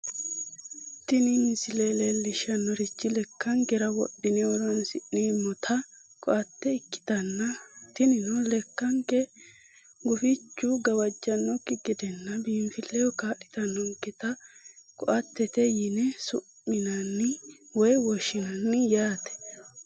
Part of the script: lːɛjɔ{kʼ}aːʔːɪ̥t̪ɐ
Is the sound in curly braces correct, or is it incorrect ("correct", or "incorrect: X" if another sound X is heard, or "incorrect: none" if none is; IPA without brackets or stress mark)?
incorrect: k